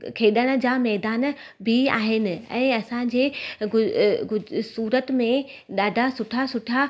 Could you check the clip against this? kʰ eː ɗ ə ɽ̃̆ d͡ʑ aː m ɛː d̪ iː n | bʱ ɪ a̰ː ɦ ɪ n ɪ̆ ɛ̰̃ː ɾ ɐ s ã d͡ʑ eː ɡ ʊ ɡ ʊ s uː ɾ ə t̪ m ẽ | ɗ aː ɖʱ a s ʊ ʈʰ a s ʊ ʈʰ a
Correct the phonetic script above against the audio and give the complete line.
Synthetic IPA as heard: kʰ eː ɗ ə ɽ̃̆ d͡ʑ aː m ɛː d̪ aː n | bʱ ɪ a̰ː ɦ ɪ n ɪ̆ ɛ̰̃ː ɐ s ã d͡ʑ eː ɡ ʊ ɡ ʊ s uː ɾ ə t̪ m ẽ | ɗ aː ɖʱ a s ʊ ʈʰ a s ʊ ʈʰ a